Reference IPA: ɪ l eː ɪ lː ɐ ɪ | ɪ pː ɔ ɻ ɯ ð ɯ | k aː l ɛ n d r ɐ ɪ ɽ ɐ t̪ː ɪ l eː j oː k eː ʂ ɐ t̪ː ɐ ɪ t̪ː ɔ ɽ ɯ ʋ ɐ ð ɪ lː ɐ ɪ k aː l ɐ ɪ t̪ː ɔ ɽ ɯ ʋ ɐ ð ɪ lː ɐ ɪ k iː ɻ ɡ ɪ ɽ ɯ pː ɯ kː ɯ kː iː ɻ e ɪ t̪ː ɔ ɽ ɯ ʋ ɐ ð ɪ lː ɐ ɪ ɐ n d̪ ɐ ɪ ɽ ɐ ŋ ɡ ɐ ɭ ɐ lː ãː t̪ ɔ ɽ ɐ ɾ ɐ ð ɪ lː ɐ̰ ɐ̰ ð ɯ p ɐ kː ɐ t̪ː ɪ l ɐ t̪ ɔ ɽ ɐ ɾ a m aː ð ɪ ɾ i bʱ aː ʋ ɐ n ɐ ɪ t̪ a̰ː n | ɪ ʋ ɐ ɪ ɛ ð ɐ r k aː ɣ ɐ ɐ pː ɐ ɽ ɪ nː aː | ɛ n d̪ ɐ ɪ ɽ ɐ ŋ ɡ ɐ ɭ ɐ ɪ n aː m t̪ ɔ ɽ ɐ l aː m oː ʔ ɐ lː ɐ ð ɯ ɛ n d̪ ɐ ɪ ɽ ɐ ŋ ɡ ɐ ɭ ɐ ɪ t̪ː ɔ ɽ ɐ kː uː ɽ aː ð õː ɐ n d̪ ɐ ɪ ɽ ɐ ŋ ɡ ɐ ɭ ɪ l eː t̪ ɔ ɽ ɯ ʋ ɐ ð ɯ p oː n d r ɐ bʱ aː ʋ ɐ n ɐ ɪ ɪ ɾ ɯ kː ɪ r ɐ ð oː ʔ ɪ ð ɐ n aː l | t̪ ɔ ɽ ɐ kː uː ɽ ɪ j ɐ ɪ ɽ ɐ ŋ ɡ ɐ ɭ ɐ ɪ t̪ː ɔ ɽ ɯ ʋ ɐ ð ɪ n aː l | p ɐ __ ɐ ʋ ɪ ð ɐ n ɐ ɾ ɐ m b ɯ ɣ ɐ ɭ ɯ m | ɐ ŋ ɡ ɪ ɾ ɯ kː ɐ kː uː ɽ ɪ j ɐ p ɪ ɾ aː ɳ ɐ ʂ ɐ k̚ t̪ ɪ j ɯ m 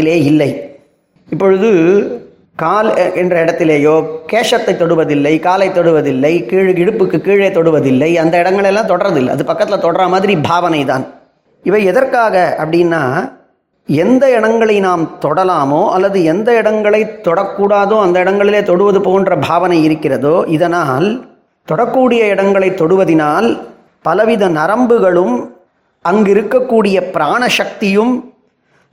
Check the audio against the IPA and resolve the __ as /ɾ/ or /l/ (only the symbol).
l